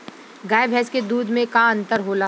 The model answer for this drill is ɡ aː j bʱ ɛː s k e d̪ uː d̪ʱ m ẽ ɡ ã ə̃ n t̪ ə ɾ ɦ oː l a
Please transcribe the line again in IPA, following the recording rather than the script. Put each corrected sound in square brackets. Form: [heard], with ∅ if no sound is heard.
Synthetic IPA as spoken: ɡ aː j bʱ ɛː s k e d̪ uː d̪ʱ m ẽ [k] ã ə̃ n t̪ ə ɾ ɦ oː l a